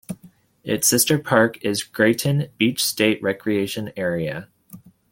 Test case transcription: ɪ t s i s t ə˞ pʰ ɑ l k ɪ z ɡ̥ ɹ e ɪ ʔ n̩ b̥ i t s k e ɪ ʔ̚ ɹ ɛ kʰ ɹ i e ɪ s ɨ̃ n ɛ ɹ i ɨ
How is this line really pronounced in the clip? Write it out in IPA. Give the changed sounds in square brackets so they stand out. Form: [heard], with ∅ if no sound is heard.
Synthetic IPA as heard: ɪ t s [ɪ] s t ə˞ pʰ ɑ [ɹ] k ɪ z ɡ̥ ɹ e ɪ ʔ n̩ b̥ i [t͡ʃ] s [t] e ɪ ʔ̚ ɹ ɛ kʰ ɹ i e ɪ [ʃ] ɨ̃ n ɛ ɹ i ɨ